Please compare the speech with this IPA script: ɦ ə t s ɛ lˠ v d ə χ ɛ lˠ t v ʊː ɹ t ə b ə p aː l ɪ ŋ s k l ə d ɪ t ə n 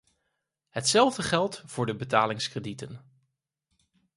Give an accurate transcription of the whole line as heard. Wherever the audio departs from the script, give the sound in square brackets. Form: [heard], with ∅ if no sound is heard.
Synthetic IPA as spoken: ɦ ə t s ɛ lˠ v d ə χ ɛ lˠ t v ʊː ɹ [d] ə b ə [t] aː l ɪ ŋ s k [r] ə d [i] t ə n